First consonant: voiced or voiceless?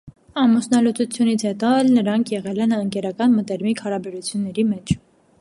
voiced